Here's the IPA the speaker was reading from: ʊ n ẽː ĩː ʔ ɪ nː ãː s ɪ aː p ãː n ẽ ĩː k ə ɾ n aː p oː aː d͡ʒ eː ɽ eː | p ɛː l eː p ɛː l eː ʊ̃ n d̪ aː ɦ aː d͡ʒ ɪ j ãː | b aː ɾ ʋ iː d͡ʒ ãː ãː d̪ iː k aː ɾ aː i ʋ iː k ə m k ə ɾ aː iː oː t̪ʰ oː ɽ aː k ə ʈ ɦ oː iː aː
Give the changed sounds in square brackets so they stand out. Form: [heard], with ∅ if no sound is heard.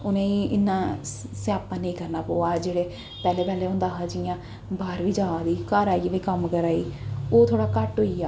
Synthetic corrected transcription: ʊ n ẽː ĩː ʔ ɪ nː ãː s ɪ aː p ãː n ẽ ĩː k ə ɾ n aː p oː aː d͡ʒ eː ɽ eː | p ɛː l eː p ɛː l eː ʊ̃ n d̪ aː ɦ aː d͡ʒ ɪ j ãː | b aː ɾ ʋ iː d͡ʒ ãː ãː d̪ iː k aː ɾ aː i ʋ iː k ə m k ə ɾ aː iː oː t̪ʰ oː ɽ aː k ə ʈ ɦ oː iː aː